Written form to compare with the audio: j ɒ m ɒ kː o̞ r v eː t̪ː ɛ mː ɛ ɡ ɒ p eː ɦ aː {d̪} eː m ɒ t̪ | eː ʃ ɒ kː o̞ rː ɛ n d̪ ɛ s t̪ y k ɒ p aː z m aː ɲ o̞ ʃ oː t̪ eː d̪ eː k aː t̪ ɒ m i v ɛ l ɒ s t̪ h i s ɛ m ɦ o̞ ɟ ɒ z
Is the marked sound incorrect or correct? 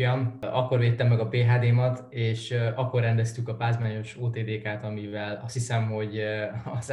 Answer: correct